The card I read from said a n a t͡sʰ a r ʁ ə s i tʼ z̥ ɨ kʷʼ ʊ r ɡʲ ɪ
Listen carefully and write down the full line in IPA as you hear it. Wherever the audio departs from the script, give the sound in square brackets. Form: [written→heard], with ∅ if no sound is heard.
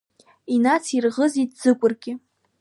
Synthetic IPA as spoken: [a→i] n a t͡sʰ [a→i] r ʁ ə [s→z] i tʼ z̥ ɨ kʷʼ ʊ r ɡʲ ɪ